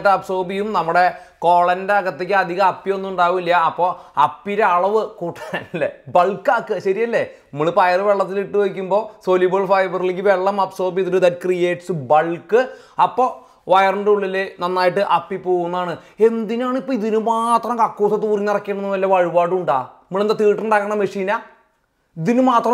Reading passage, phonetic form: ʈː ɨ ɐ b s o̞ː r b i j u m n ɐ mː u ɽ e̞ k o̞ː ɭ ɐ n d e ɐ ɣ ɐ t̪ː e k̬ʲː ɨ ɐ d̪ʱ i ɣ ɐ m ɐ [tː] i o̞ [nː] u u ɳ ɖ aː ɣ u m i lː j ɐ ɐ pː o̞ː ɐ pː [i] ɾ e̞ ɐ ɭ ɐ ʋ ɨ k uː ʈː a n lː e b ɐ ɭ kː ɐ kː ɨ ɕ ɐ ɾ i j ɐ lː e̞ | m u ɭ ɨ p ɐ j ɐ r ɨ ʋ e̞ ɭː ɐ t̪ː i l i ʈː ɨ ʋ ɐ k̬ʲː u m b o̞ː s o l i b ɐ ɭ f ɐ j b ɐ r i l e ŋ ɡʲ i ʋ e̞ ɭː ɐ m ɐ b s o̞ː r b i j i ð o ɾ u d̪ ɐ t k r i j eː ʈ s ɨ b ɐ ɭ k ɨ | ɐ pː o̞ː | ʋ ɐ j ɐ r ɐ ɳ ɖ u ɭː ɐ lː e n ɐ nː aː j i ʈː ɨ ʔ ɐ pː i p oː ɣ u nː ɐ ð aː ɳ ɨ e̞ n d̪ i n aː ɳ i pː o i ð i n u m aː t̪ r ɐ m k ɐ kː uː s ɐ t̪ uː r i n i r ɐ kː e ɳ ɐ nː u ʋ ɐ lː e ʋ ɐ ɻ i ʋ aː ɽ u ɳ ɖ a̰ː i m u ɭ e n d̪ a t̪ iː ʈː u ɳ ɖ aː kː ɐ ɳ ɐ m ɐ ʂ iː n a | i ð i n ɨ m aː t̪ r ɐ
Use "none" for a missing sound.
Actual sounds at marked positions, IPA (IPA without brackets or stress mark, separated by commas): pː, nː, i